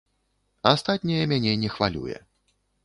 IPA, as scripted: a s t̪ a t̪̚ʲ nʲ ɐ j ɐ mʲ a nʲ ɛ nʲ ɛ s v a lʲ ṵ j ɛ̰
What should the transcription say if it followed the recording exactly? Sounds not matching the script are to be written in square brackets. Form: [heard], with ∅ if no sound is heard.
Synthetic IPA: a s t̪ a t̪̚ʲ nʲ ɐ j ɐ mʲ a nʲ ɛ nʲ ɛ [x] v a lʲ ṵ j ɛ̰